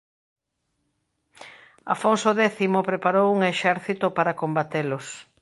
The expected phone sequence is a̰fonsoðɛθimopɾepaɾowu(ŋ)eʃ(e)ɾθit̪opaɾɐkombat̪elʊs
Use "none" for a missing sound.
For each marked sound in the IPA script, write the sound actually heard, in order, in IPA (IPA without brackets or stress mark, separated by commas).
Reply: ŋ, ɛ